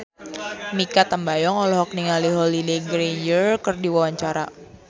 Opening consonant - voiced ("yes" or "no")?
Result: yes